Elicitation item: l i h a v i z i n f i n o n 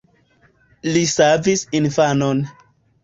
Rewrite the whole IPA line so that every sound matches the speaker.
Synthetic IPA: l i s a v i s i n f a n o n